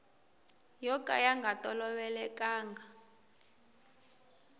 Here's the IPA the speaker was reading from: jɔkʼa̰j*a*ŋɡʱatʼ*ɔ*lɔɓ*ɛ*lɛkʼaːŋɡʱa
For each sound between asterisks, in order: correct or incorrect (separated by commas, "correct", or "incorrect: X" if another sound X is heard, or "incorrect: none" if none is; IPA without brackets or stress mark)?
correct, correct, correct